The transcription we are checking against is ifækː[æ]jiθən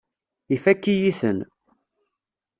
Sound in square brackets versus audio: incorrect: i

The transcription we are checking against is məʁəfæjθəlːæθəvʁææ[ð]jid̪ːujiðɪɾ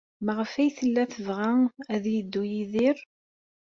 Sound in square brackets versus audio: correct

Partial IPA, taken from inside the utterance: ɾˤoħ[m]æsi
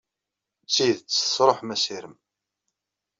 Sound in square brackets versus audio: correct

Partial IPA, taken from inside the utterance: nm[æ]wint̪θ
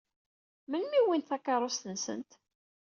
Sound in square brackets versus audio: incorrect: i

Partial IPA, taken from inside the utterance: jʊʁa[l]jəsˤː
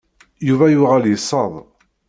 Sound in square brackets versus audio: correct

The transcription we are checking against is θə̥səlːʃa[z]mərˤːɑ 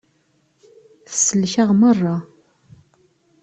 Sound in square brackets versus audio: incorrect: ʁ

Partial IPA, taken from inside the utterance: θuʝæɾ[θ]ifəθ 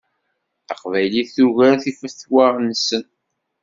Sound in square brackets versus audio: correct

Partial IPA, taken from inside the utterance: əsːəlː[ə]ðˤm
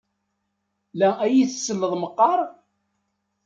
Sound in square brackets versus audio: correct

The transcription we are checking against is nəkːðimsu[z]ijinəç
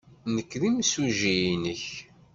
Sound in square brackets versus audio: incorrect: ʒ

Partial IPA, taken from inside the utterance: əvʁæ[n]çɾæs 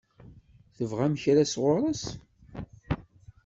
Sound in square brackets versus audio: incorrect: m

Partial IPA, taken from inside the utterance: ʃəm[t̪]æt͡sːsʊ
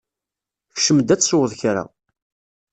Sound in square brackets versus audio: incorrect: d̪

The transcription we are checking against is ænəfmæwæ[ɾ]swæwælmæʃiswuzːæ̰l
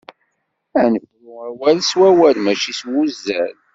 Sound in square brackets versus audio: incorrect: l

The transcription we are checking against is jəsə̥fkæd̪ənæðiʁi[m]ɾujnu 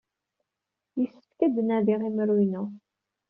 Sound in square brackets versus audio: correct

